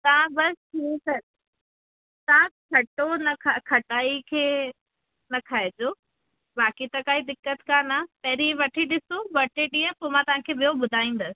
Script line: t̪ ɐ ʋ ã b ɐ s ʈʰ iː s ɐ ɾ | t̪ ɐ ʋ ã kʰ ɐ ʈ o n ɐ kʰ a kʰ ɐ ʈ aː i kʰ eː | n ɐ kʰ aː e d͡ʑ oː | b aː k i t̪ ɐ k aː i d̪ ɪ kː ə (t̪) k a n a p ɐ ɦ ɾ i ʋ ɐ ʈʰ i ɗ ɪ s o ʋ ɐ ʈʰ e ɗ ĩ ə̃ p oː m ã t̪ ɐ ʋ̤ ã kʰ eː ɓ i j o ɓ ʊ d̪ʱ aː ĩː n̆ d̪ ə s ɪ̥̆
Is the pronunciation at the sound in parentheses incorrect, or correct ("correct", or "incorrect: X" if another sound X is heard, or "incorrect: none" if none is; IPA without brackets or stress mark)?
correct